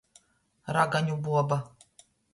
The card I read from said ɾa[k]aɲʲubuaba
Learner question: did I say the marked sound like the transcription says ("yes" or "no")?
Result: no